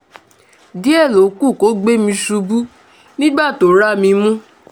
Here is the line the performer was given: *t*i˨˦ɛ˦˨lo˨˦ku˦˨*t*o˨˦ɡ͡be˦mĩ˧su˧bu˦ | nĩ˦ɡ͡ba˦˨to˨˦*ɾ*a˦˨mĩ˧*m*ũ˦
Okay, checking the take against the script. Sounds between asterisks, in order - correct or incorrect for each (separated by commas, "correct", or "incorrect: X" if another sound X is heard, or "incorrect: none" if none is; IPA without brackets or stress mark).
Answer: incorrect: d, incorrect: k, correct, correct